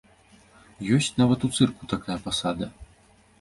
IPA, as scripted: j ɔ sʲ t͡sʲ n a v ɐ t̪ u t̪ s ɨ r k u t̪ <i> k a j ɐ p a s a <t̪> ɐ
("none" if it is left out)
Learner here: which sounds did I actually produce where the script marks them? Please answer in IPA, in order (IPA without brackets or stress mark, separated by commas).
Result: a, d̪